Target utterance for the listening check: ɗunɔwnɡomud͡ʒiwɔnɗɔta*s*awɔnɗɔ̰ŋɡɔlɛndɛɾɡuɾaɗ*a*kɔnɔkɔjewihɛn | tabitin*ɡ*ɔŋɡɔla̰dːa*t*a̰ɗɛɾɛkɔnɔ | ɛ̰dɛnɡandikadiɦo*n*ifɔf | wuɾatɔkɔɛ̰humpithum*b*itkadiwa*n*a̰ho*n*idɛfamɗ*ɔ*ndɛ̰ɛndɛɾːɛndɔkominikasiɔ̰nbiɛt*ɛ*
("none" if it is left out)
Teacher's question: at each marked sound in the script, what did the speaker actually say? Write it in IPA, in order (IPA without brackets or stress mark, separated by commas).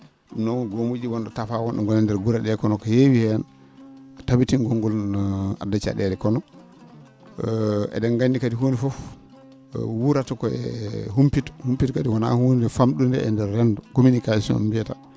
f, ɛ, ɡ, t͡ʃ, n, p, n, n, u, a